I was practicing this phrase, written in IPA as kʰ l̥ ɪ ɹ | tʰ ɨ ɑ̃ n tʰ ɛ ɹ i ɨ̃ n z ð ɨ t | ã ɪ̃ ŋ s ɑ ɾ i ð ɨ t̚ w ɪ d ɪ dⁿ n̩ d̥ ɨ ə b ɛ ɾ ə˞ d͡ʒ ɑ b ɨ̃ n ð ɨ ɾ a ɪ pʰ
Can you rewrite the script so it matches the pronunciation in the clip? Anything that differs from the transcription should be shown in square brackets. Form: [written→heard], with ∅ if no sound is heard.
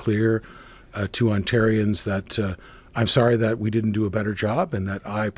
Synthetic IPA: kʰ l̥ ɪ ɹ | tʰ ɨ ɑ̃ n tʰ ɛ ɹ i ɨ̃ n z ð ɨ t | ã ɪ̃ [ŋ→m] s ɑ [ɾ→ɹ] i ð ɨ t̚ w [ɪ→i] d ɪ dⁿ n̩ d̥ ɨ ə b ɛ ɾ ə˞ d͡ʒ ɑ b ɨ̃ n ð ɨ ɾ a ɪ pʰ